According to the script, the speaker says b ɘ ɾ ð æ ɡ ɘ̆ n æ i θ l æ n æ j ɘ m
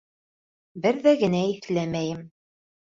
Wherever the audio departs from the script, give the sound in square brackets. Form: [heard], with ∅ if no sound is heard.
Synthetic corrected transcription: b ɘ ɾ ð æ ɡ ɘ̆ n æ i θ l æ [m] æ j ɘ m